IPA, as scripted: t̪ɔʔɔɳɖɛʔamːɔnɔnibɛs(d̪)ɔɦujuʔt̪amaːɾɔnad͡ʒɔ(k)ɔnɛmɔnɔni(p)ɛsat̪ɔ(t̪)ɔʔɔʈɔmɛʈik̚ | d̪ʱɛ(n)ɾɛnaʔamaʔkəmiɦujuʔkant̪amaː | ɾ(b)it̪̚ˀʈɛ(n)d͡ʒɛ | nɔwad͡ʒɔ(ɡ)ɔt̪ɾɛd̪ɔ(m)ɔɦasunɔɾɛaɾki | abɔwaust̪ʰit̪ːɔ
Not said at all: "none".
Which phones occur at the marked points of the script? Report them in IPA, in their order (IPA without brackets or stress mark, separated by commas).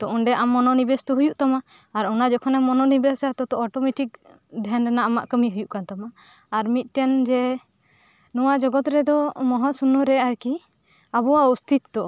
t̪, kʰ, b, t̪, n, m, n, ɡ, m